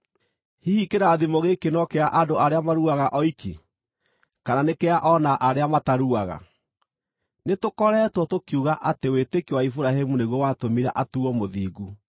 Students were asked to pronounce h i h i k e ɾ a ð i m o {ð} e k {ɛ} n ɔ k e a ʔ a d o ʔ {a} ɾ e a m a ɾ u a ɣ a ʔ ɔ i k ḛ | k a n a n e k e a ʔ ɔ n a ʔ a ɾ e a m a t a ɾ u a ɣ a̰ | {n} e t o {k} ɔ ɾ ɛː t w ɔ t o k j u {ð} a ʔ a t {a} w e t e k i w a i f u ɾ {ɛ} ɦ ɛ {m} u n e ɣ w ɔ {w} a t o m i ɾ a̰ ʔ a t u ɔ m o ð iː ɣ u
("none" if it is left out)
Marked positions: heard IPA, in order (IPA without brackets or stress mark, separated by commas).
ɣ, e, a, n, k, ɣ, e, a, m, w